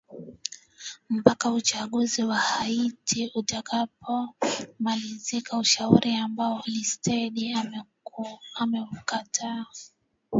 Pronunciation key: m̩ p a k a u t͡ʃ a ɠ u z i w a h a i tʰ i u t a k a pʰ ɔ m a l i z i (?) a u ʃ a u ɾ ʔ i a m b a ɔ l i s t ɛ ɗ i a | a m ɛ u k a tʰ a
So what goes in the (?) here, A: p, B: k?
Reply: B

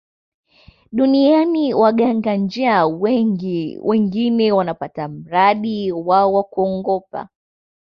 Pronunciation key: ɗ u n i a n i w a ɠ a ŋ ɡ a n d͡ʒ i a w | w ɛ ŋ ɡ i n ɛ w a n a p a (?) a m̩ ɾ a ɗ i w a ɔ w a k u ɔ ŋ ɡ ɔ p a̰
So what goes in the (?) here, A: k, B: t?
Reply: B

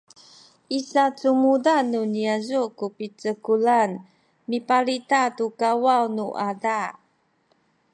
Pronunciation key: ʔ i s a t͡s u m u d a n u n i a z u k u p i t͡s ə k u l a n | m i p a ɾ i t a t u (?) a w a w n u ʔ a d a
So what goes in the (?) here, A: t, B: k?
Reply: B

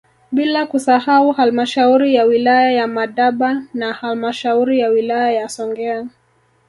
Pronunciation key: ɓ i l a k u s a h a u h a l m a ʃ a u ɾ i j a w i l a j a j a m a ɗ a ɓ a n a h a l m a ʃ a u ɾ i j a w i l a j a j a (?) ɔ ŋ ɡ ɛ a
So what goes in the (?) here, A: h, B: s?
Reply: B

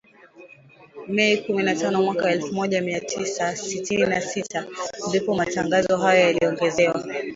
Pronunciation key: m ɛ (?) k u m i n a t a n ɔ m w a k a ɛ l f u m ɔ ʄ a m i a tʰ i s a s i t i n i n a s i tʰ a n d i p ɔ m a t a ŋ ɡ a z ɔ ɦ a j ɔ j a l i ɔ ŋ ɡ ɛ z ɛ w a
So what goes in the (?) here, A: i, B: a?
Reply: A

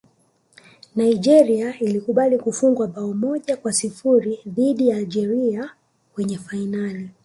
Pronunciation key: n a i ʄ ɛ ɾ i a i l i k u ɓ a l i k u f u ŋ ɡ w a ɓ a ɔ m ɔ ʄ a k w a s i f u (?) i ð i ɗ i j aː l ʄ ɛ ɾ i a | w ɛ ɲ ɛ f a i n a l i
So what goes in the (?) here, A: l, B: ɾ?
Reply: B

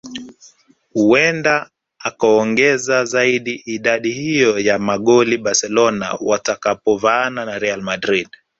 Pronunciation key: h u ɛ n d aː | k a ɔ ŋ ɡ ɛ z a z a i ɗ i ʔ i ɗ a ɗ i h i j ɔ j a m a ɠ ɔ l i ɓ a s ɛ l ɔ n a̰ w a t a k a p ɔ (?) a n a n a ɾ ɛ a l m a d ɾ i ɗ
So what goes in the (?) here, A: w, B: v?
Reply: B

